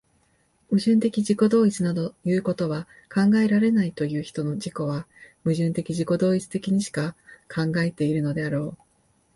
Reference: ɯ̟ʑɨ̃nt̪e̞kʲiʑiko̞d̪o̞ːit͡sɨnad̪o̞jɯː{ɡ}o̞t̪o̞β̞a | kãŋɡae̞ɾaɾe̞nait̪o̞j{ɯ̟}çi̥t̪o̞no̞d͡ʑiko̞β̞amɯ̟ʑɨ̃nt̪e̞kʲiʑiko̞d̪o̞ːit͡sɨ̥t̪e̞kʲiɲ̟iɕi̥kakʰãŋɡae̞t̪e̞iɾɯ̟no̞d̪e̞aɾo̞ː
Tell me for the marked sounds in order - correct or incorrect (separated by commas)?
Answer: incorrect, incorrect